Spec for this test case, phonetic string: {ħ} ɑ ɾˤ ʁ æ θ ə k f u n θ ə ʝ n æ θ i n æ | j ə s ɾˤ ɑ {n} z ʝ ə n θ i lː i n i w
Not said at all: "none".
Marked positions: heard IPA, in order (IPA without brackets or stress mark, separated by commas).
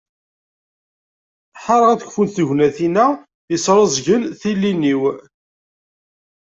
ħ, none